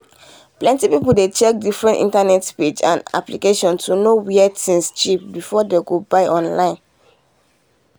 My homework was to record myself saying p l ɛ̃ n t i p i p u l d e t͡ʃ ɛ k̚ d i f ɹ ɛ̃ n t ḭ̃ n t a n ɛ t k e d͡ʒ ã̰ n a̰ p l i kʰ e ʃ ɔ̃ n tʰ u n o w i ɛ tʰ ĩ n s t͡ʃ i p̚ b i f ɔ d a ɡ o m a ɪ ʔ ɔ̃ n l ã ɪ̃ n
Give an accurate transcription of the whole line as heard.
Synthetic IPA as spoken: p l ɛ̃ n t i p i p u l d e t͡ʃ ɛ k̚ d i f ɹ ɛ̃ n t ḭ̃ n t a n ɛ t p e d͡ʒ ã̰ n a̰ p l i k e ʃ ɔ̃ n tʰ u n o w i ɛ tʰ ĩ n s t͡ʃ i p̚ b i f ɔ d e ɡ o b a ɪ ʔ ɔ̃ n l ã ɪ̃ n